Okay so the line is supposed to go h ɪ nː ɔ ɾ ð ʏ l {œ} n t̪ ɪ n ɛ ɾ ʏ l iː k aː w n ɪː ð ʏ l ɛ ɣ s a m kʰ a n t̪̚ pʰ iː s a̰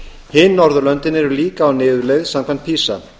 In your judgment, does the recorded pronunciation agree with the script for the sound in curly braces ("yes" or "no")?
yes